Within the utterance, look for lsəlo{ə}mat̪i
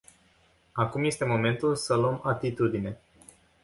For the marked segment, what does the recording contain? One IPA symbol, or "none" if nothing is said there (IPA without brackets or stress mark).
ə